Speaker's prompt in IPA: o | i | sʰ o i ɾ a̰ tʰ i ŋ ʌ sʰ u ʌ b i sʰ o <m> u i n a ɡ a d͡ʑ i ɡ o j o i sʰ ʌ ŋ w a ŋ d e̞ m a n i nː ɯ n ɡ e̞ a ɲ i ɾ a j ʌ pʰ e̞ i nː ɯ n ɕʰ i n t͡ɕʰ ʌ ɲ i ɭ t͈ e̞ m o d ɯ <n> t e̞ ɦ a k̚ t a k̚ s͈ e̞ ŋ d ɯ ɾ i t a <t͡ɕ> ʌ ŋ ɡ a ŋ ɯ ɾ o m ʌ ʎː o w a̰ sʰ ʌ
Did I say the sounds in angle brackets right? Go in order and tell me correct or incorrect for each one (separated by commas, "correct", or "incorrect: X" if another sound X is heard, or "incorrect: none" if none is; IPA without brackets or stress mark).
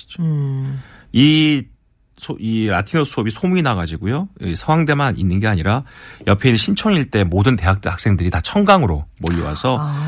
correct, correct, incorrect: t͡ɕʰ